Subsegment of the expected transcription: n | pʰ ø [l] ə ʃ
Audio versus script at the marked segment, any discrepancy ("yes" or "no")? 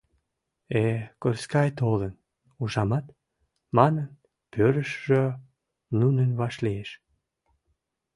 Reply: yes